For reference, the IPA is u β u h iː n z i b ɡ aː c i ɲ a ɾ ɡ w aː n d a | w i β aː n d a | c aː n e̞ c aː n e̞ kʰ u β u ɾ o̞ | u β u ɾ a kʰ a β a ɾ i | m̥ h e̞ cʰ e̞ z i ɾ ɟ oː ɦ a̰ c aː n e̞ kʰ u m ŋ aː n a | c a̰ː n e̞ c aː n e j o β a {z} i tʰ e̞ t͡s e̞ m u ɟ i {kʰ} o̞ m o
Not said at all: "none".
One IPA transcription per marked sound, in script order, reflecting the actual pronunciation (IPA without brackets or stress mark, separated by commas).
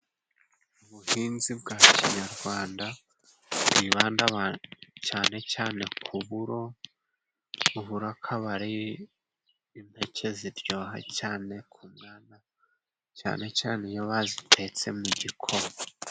z, kʰ